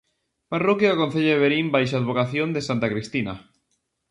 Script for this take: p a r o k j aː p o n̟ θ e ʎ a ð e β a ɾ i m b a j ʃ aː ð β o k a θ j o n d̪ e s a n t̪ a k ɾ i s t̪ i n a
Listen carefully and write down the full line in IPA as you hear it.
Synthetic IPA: p a r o k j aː k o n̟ θ e ʎ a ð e β e ɾ i m b a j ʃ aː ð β o k a θ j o n d̪ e s a n t̪ a k ɾ i s t̪ i n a